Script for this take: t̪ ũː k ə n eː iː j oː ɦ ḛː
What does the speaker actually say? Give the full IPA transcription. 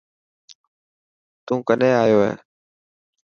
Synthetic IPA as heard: t̪ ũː k ə n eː aː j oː ɦ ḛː